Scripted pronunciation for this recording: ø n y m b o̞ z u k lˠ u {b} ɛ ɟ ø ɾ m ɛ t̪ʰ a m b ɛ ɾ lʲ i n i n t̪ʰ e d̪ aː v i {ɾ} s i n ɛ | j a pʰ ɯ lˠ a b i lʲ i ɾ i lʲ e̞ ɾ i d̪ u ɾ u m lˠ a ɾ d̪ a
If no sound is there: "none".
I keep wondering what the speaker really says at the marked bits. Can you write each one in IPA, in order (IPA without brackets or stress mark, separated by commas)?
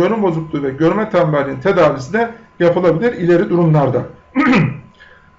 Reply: v, none